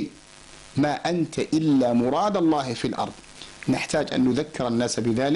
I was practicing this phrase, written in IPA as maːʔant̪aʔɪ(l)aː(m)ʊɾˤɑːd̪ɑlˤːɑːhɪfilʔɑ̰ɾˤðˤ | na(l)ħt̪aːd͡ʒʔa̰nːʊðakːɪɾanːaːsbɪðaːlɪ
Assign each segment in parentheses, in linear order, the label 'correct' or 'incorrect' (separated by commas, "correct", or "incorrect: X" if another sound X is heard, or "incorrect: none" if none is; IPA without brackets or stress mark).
incorrect: lː, correct, incorrect: none